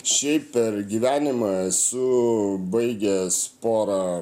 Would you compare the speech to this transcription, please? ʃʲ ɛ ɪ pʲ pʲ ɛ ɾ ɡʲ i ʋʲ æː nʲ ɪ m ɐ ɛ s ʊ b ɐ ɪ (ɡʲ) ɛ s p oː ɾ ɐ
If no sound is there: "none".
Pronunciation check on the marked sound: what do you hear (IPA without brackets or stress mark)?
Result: ɡʲ